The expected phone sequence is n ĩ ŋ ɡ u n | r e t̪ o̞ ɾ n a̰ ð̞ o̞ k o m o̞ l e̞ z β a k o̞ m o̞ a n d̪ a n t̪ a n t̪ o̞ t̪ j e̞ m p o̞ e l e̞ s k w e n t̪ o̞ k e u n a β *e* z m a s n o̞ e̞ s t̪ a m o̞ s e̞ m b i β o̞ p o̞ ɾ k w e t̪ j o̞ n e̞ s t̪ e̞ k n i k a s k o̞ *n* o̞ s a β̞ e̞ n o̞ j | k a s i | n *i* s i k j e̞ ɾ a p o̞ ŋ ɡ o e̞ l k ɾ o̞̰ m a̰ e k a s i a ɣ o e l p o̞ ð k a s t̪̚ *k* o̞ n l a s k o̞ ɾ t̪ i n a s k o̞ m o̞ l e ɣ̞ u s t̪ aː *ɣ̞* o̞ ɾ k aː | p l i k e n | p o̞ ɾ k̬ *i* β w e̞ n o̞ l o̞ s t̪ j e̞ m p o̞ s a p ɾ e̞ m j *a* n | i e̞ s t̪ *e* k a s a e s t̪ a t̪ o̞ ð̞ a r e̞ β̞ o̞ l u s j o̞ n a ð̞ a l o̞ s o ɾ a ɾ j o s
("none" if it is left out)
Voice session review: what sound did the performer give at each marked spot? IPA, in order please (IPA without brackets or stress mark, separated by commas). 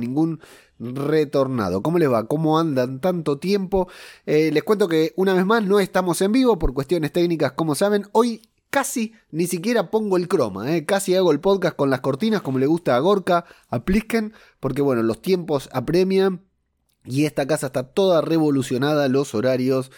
e, m, i, k, ɣ̞, e, a, a